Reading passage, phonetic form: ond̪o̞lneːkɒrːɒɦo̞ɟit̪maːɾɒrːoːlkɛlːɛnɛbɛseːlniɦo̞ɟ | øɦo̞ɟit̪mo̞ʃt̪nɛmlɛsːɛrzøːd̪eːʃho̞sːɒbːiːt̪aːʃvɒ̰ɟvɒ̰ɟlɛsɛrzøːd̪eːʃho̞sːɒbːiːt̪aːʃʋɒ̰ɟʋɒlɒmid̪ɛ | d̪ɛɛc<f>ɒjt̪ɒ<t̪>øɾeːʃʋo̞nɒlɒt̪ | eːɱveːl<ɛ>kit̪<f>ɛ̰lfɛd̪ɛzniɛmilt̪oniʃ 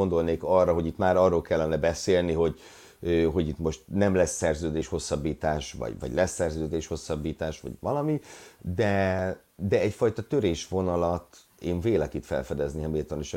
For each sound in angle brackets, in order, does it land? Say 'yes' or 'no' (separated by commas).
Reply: yes, yes, yes, yes